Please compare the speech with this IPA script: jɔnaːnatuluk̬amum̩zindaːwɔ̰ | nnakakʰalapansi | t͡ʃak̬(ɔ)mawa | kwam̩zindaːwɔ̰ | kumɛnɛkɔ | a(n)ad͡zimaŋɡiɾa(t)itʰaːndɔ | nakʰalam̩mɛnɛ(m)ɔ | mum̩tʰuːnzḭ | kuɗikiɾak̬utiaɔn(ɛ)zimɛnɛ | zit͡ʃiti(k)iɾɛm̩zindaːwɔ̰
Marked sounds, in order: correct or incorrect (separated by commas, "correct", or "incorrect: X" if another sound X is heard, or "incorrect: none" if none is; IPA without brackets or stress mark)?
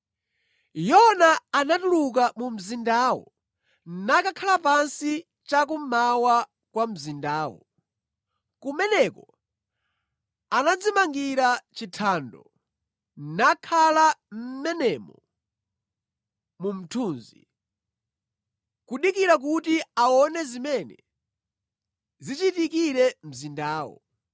incorrect: u, correct, incorrect: t͡ʃ, correct, correct, correct